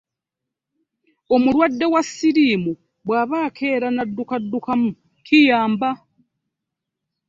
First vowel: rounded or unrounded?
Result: rounded